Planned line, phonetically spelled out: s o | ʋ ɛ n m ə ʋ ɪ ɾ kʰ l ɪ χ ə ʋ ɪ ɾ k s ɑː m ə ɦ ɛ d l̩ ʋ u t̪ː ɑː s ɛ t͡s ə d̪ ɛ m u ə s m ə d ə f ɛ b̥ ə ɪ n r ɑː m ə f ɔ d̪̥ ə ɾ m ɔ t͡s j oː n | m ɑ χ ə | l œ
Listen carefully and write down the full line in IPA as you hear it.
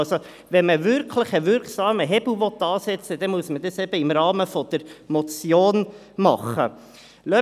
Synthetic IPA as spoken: s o | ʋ ɛ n m ə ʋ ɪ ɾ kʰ l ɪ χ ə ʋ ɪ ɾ k s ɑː m ə ɦ ɛ b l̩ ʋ ɔ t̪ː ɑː s ɛ t͡s ə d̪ ɛ m u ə s m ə d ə s ɛ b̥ ə ɪ m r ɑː m ə f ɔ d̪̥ ə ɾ m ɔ t͡s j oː n | m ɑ χ ə | l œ